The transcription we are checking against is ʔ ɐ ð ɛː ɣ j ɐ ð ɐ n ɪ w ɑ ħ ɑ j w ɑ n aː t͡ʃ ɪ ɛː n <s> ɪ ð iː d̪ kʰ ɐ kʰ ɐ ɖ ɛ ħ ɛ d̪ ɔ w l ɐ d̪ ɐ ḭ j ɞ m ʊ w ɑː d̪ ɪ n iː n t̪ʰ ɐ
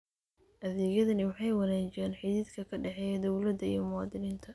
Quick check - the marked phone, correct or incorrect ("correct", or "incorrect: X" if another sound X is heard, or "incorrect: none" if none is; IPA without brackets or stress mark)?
incorrect: ħ